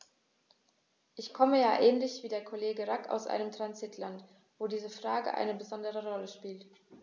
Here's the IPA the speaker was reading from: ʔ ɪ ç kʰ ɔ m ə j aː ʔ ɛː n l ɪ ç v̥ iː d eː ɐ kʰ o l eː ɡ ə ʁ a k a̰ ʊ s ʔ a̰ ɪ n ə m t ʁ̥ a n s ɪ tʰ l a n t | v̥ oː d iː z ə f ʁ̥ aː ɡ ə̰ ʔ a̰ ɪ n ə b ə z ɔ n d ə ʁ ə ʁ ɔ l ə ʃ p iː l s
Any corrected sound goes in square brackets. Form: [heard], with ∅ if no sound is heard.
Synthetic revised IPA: ʔ ɪ ç kʰ ɔ m ə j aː ʔ ɛː n l ɪ ç v̥ iː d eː ɐ kʰ o l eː ɡ ə ʁ a k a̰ ʊ s ʔ a̰ ɪ n ə m t ʁ̥ a n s ɪ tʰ l a n t | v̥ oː d iː z ə f ʁ̥ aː ɡ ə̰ ʔ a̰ ɪ n ə b ə z ɔ n d ə ʁ ə ʁ ɔ l ə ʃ p iː l [t]